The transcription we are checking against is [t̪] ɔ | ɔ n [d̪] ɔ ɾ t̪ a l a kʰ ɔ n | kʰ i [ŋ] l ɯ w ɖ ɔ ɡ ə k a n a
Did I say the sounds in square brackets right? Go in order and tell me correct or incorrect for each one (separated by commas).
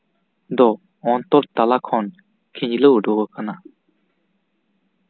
incorrect, incorrect, incorrect